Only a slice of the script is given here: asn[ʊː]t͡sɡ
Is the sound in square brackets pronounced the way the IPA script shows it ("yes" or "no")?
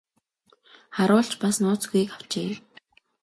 yes